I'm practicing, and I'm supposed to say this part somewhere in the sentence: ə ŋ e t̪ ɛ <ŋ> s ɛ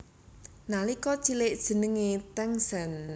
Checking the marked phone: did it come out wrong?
no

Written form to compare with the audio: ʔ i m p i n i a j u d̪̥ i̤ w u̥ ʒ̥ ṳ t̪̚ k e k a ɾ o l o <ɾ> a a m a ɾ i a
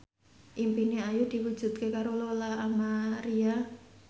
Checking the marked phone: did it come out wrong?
yes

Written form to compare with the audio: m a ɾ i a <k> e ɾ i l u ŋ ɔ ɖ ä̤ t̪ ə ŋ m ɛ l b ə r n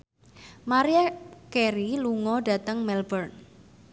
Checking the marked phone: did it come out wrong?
no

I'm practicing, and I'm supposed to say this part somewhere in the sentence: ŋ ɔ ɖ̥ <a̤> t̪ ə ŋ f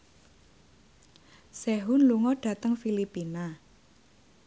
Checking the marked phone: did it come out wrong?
no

